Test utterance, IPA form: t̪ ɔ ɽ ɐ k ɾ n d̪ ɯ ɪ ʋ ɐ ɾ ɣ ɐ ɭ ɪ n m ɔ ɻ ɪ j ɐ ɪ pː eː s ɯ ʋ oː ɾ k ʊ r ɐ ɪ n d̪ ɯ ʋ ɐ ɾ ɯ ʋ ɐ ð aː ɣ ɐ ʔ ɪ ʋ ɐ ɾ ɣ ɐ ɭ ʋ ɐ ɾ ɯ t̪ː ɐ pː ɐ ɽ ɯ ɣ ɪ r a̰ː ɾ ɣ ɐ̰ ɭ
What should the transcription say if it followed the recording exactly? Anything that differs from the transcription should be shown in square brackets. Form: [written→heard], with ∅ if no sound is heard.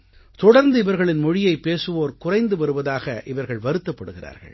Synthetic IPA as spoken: t̪ ɔ ɽ ɐ [k→∅] ɾ n d̪ ɯ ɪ ʋ ɐ ɾ ɣ ɐ ɭ ɪ n m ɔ ɻ ɪ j ɐ ɪ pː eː s ɯ ʋ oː ɾ k ʊ r ɐ ɪ n d̪ ɯ ʋ ɐ ɾ ɯ ʋ ɐ ð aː ɣ ɐ ʔ ɪ ʋ ɐ ɾ ɣ ɐ ɭ ʋ ɐ ɾ ɯ t̪ː ɐ pː ɐ ɽ ɯ ɣ ɪ r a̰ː ɾ ɣ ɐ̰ ɭ